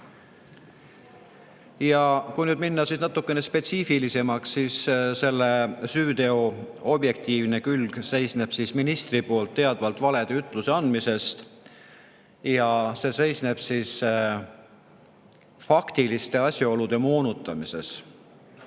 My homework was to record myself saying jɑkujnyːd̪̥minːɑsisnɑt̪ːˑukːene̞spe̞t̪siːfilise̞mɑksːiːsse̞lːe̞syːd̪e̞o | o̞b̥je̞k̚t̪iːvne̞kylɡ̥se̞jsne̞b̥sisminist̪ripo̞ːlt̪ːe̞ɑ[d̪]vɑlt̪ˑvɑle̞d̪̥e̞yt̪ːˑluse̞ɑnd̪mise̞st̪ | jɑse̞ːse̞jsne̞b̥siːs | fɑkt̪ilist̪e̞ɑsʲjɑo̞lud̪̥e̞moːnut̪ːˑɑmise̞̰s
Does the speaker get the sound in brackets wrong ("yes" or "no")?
no